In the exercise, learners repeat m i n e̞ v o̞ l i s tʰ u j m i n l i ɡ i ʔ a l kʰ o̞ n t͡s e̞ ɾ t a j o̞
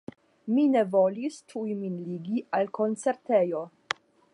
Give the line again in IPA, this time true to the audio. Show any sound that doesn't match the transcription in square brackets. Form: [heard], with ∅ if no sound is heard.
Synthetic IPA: m i n e̞ v o̞ l i s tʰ u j m i n l i ɡ i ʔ a l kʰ o̞ n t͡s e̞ ɾ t [e] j o̞